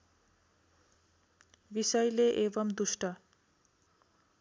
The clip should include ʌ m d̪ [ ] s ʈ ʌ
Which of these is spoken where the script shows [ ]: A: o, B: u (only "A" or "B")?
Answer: B